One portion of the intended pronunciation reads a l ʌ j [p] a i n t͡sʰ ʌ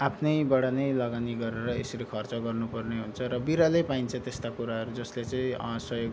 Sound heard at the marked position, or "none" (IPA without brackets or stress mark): p